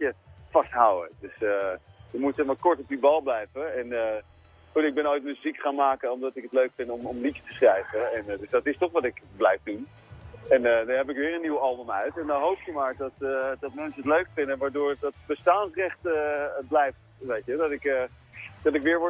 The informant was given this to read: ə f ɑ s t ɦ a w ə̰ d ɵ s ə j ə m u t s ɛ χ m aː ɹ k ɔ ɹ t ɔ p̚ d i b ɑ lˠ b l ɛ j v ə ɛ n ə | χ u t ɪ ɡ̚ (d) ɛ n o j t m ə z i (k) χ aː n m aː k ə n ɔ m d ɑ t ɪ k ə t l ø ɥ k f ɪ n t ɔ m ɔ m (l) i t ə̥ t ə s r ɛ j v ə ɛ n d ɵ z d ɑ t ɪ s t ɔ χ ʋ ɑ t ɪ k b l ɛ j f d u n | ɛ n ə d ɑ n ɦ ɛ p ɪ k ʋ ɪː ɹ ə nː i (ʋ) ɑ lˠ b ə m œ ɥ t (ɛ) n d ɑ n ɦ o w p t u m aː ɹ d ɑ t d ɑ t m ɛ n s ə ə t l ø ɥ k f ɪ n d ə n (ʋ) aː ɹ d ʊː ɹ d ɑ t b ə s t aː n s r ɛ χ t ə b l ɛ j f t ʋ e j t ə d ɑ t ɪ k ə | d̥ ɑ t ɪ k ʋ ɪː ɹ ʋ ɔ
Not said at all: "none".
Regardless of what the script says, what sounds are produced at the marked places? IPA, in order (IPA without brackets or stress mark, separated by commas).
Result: b, k, l, w, ɛ, ʋ